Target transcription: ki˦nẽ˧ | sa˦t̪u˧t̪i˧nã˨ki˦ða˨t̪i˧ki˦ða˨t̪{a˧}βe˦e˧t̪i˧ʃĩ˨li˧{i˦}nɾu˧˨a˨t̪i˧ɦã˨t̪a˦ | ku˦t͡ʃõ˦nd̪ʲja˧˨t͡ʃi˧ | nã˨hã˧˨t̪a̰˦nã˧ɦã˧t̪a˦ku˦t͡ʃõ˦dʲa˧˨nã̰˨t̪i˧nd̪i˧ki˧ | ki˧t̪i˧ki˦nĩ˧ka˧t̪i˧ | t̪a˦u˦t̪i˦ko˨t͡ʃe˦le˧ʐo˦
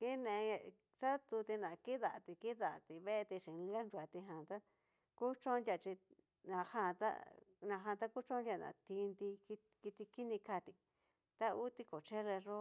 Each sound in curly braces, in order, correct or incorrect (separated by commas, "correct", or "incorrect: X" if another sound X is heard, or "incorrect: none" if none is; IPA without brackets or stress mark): incorrect: i˧, incorrect: a˦